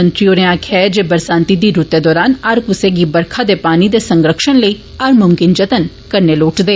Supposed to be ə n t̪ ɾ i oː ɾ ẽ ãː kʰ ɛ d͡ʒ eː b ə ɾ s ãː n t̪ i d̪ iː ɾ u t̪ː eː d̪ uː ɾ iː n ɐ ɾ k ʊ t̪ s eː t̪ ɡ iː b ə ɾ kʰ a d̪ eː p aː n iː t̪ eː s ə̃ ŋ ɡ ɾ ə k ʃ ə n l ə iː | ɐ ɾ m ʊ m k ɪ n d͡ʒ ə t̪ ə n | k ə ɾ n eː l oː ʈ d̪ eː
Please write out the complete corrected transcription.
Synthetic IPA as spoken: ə n t̪ ɾ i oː ɾ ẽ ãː kʰ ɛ d͡ʒ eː b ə ɾ s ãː n t̪ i d̪ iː ɾ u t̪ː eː d̪ ɔː ɾ aː n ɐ ɾ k ʊ s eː ɡ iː b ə ɾ kʰ a d̪ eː p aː n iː d̪ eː s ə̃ ŋ ɡ ɾ ə k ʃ ə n l ə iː | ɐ ɾ m ʊ m k ɪ n d͡ʒ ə t̪ ə n | k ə ɾ n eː l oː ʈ d̪ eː